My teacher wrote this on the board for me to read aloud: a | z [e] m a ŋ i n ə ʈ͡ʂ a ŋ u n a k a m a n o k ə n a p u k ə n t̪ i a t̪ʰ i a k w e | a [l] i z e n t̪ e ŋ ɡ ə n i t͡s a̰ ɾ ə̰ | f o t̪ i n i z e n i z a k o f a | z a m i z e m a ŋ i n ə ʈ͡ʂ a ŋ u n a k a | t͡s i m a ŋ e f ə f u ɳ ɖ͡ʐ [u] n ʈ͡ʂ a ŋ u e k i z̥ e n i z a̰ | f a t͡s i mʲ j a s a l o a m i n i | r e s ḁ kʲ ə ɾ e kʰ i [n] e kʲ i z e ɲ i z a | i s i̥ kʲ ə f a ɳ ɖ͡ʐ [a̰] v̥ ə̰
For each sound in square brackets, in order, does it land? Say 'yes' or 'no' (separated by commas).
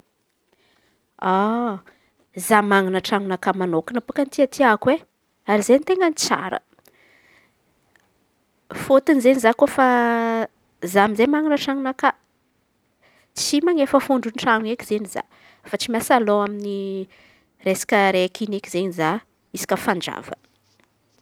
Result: no, no, yes, yes, yes